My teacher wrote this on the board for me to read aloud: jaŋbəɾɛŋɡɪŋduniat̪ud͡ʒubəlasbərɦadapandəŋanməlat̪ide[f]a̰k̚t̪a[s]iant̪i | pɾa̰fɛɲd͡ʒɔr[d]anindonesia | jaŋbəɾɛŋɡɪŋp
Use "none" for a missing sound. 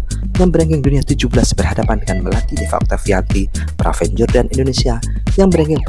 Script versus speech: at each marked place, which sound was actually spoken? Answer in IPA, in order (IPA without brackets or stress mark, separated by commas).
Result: f, f, d